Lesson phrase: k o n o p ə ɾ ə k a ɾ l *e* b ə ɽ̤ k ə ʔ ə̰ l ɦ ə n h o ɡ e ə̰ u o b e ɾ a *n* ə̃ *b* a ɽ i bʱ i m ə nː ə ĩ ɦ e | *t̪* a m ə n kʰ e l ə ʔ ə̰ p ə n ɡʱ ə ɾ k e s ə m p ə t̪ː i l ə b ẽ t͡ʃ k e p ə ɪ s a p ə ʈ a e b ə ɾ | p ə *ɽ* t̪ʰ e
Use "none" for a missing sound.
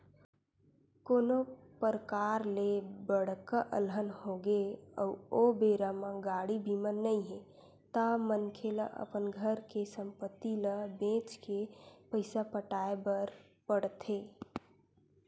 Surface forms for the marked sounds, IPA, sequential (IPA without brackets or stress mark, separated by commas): e, m, ɡ, t̪, ɽ